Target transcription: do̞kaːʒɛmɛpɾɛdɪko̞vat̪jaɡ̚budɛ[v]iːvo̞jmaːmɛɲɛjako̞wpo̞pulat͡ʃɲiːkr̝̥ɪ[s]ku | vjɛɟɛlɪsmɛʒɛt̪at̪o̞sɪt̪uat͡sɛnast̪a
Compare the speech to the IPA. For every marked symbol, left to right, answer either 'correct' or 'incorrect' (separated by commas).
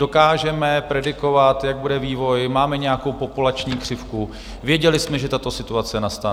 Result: correct, incorrect